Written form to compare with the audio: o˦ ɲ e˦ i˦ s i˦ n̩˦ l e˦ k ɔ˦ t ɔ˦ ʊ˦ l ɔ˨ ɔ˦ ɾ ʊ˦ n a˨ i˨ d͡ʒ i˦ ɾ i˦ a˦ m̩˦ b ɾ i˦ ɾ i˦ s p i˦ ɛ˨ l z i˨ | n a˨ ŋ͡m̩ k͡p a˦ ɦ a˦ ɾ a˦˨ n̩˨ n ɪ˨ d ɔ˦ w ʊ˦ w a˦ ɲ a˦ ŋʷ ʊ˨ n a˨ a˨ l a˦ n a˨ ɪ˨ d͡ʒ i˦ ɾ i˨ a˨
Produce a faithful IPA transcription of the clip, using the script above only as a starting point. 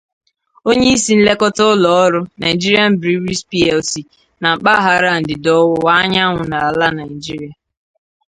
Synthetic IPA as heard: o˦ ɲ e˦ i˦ s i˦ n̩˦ l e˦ k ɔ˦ t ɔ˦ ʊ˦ l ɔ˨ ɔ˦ ɾ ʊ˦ n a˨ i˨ d͡ʒ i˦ ɾ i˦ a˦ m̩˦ b ɾ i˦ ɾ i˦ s p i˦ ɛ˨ l s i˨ | n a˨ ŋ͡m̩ k͡p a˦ ɦ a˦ ɾ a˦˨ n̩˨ d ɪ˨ d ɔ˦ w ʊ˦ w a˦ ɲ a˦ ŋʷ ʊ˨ n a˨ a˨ l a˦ n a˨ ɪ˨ d͡ʒ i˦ ɾ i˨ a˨